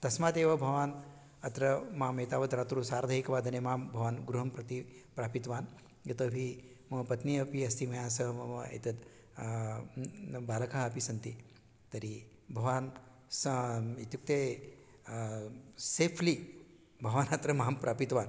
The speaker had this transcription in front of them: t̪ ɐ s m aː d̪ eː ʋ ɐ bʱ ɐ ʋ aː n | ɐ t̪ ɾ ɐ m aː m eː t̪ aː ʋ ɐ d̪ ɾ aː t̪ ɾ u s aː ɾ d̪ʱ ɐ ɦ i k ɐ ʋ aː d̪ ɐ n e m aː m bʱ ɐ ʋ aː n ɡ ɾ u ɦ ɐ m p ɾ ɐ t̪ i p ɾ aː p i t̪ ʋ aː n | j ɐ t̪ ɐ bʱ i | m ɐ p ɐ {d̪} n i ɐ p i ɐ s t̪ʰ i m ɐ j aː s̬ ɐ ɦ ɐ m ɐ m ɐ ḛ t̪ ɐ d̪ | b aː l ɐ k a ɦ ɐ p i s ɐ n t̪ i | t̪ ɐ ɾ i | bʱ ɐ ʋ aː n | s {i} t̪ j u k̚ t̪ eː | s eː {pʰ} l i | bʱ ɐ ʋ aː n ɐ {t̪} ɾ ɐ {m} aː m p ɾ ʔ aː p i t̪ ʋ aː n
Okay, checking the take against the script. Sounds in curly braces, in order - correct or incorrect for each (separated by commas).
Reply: incorrect, correct, correct, correct, correct